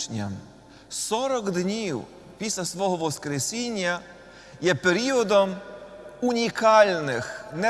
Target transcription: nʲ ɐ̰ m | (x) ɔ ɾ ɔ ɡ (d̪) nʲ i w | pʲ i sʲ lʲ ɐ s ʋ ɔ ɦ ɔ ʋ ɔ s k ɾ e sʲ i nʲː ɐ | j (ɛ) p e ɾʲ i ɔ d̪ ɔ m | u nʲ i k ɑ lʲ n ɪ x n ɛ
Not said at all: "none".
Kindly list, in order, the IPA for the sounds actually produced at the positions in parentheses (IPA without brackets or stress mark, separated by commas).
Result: s, d̪, ɛ